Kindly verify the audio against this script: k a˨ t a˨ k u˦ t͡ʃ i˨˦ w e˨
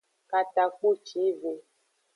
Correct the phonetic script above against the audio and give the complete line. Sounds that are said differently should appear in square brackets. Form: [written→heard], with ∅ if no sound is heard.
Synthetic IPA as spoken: k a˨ t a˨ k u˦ t͡ʃ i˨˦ [w→v] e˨